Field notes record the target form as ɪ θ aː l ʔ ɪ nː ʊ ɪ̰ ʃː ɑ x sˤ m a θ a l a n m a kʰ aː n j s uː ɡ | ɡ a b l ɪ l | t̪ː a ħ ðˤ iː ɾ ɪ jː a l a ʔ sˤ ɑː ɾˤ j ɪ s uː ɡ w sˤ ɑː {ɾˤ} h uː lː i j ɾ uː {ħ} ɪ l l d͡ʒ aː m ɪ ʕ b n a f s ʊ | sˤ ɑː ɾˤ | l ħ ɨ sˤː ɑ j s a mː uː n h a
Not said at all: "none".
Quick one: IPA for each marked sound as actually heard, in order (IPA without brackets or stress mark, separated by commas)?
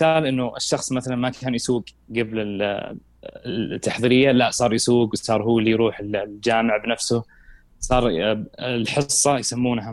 ɾˤ, ħ